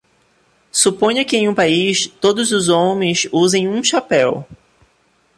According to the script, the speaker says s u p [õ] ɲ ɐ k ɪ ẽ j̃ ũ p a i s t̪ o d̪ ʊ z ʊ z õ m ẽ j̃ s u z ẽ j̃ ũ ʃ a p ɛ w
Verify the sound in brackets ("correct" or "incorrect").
correct